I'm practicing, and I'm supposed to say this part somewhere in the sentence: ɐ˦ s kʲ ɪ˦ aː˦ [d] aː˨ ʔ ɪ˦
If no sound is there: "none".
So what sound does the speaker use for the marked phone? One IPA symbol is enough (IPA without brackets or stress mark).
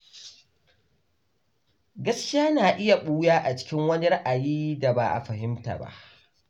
n